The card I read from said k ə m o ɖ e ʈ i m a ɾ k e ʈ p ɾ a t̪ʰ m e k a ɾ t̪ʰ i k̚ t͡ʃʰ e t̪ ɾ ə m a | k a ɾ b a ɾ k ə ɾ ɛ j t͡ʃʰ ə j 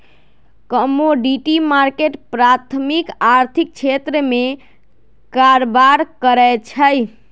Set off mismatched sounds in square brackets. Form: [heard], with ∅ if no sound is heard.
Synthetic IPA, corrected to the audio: k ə m o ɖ [i] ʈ i m a ɾ k e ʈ p ɾ a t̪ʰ m [i] k a ɾ t̪ʰ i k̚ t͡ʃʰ e t̪ ɾ ə m [e] | k a ɾ b a ɾ k ə ɾ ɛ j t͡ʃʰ ə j